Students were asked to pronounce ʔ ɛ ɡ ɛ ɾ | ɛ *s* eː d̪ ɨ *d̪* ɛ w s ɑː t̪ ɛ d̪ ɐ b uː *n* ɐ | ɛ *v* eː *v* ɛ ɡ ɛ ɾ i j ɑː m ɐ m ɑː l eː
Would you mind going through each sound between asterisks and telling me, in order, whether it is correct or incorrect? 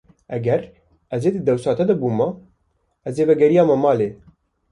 incorrect, correct, incorrect, incorrect, correct

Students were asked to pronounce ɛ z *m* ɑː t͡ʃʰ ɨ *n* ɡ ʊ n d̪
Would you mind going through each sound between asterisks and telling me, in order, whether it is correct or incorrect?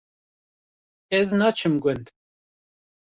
incorrect, incorrect

